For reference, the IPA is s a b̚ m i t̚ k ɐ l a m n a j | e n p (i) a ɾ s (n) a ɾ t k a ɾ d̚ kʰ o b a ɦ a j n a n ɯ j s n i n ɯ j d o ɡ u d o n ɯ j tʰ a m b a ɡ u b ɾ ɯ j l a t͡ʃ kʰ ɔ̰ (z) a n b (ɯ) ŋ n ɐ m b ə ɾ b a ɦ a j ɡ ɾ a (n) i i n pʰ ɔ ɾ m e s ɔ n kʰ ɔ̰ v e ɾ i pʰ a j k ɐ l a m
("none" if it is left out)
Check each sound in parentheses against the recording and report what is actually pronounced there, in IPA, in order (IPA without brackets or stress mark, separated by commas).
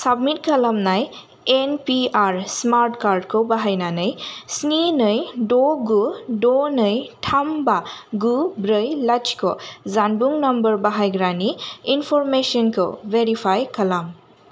i, m, z, u, n